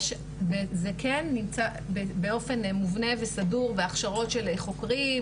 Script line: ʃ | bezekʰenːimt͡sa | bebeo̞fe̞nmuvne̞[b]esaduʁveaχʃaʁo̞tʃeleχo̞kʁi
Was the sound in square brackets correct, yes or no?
no